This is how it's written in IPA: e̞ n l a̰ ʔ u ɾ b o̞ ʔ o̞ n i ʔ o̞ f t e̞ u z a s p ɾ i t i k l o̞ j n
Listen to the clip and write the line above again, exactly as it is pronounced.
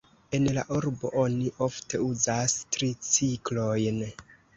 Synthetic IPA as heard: e̞ n l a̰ ʔ u ɾ b o̞ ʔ o̞ n i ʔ o̞ f t e̞ u z a s t ɾ i t͡s i k l o̞ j n